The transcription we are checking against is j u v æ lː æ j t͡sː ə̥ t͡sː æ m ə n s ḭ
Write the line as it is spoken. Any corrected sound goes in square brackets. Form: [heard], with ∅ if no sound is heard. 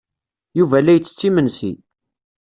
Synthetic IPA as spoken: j u v æ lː æ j t͡sː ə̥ t͡sː [i] m ə n s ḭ